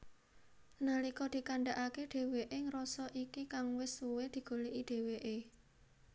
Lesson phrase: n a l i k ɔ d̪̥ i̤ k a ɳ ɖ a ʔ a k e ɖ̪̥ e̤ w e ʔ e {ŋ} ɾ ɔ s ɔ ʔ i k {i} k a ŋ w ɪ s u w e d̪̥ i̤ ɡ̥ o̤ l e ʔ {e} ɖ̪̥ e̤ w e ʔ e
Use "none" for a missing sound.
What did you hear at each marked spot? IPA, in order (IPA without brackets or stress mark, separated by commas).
ŋ, i, i